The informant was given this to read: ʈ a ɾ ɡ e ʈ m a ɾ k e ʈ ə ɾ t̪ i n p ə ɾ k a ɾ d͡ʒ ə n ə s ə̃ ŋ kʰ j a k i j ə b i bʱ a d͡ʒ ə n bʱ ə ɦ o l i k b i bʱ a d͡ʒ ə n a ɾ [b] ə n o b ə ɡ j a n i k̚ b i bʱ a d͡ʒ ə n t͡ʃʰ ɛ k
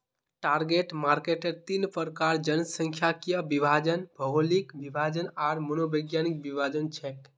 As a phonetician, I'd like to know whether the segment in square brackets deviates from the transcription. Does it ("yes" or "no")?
yes